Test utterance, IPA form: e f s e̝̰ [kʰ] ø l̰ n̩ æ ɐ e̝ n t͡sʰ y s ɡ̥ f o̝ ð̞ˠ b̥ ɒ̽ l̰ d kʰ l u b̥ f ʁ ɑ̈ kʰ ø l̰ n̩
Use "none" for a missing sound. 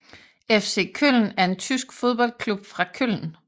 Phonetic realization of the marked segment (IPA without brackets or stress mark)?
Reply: kʰ